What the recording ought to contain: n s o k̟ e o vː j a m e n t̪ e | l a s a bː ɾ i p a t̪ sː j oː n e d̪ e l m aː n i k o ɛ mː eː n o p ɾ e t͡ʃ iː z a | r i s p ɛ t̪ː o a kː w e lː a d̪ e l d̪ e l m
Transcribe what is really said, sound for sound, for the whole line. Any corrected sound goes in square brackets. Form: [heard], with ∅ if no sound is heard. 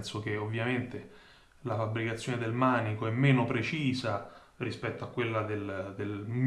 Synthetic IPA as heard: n s o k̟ e o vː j a m e n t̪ e | l a [f] a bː ɾ i [k] a t̪ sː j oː n e d̪ e l m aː n i k o ɛ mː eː n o p ɾ e t͡ʃ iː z a | r i s p ɛ t̪ː o a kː w e lː a d̪ e l d̪ e l m